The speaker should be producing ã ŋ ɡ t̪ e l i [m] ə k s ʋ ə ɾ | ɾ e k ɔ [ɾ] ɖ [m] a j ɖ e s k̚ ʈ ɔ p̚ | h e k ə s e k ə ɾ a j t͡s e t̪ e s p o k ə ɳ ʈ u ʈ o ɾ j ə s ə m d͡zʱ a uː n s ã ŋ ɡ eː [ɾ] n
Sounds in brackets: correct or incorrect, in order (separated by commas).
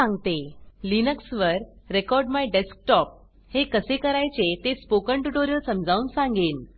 incorrect, correct, correct, incorrect